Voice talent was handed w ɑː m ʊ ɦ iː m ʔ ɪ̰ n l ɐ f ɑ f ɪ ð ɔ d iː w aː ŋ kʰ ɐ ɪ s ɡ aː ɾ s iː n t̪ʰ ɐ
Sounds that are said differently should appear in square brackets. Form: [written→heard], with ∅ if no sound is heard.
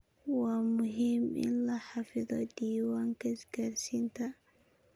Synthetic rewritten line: w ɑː m ʊ ɦ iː m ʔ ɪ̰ n l ɐ [f→ħ] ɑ f ɪ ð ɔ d iː w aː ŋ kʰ ɐ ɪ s ɡ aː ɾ s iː n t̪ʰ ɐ